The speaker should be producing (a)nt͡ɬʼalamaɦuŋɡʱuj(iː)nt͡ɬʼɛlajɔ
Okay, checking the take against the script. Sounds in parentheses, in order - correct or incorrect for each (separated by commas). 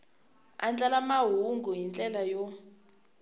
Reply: correct, incorrect